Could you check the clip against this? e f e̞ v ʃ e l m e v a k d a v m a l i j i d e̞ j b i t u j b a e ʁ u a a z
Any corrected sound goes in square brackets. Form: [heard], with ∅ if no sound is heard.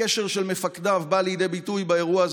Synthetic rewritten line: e [ʃ] e̞ [ʁ] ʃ e l m e [f] a k d a v [b] a l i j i d e̞ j b i t u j b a e ʁ u a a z